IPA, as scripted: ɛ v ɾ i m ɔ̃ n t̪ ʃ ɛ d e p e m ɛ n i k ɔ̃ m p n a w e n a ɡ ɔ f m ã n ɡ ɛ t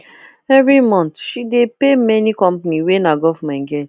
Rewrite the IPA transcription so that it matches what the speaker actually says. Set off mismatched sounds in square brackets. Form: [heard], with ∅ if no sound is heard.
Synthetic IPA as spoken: ɛ v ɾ i m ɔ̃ n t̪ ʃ [i] d e p e m ɛ n i k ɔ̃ m p n [i] w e n a ɡ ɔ f m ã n ɡ ɛ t